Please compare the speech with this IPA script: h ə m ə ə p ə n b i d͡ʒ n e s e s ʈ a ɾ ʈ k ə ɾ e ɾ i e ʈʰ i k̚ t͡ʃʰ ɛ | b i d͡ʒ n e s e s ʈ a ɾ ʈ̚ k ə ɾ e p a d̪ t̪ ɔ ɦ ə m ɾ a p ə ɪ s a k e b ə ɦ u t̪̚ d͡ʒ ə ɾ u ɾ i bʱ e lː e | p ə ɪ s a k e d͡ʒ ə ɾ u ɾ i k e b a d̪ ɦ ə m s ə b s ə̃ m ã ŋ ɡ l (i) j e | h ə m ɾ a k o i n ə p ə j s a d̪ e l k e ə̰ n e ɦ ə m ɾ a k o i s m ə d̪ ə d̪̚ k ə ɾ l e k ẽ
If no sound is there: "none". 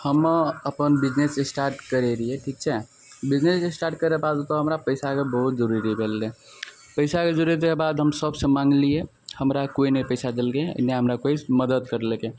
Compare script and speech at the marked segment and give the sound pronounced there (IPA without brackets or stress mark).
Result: i